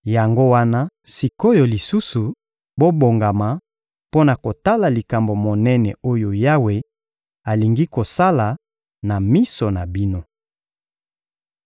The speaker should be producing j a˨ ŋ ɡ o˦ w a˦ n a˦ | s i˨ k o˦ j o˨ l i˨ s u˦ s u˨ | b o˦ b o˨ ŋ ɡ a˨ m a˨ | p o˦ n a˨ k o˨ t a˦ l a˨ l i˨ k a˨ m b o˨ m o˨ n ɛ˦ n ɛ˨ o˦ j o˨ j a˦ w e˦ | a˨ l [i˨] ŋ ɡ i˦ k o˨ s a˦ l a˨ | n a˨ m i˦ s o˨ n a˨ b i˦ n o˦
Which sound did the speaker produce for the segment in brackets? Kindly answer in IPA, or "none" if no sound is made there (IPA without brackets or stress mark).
i˨